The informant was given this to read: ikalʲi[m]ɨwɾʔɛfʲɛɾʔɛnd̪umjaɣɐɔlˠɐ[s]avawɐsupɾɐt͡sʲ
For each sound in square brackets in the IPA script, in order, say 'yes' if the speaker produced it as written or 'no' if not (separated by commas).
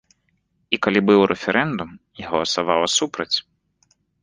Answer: no, yes